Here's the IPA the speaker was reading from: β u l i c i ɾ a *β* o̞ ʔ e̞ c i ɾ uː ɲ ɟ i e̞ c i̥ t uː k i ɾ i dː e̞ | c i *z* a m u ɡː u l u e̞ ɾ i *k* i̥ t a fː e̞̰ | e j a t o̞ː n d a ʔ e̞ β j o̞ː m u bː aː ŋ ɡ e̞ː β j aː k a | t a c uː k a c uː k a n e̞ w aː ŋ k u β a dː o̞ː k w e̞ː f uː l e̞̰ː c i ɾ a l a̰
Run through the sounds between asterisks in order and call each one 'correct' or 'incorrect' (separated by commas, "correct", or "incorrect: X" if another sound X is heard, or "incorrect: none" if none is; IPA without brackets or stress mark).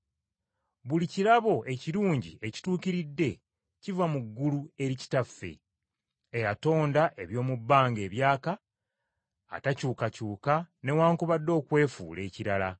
correct, incorrect: v, incorrect: c